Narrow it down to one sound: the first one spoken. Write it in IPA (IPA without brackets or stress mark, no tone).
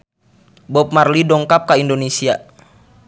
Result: b